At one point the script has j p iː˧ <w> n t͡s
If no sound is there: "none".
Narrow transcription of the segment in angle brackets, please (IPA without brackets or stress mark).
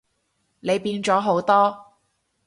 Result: none